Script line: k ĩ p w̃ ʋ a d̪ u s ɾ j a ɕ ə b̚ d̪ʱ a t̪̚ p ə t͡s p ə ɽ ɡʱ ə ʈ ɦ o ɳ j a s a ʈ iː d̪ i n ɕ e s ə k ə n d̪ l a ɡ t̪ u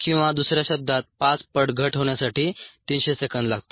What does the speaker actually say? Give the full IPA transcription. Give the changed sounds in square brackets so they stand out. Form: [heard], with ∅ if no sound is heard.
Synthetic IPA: k ĩ [∅] w̃ ʋ a d̪ u s ɾ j a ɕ ə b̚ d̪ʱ a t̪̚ p [a] t͡s p ə ɽ ɡʱ ə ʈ ɦ o ɳ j a s a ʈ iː [t̪] i n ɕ e s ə k ə n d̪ l a ɡ t̪ [o]

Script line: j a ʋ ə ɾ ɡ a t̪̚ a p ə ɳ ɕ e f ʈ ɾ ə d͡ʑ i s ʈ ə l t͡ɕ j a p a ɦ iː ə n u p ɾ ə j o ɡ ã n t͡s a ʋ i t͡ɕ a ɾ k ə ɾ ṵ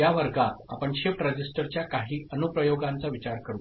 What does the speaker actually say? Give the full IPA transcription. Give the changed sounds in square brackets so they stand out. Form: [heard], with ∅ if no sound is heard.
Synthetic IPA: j a ʋ ə ɾ ɡ a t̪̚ a p ə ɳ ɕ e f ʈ ɾ ə d͡ʑ i s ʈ ə [ɾ] t͡ɕ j a [k] a ɦ iː ə n u p ɾ ə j o ɡ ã n t͡s a ʋ i t͡ɕ a ɾ k ə ɾ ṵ

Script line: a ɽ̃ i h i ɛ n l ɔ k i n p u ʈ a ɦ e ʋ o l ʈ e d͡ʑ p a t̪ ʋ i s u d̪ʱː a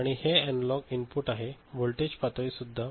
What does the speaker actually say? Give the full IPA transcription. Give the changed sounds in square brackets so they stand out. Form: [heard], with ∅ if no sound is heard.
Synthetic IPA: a ɽ̃ i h [e] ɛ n l ɔ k i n p u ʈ a ɦ e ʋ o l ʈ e d͡ʑ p a t̪ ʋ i s u d̪ʱː a

